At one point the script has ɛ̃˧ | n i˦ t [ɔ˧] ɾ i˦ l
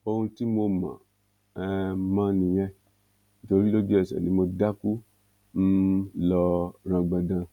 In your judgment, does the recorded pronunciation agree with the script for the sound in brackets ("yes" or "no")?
no